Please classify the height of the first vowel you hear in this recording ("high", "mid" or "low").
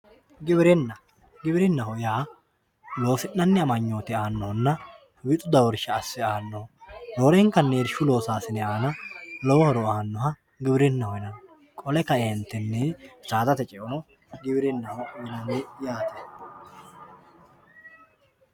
high